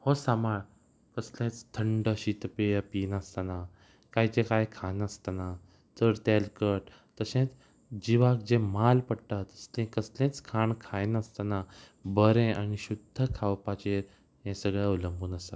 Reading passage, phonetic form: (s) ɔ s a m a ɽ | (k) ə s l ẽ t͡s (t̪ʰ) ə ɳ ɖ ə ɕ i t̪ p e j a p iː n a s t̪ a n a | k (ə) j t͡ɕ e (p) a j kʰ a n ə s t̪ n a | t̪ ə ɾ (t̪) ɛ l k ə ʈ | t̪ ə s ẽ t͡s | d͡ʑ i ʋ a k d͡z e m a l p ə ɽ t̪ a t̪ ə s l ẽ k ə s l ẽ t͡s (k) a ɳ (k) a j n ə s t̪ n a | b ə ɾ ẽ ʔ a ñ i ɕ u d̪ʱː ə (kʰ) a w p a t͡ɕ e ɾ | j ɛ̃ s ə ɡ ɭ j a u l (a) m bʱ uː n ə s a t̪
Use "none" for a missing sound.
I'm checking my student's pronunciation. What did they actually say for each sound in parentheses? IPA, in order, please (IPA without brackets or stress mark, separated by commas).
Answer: h, k, t̪ʰ, a, k, t̪, kʰ, kʰ, kʰ, ə